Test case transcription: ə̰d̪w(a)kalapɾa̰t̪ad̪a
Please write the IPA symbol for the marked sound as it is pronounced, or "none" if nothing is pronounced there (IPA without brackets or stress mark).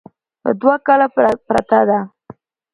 a